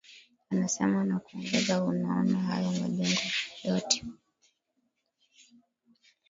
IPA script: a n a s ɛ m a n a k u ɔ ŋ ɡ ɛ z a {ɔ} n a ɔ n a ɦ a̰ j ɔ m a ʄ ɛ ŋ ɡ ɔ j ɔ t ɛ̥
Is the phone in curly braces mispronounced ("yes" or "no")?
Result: yes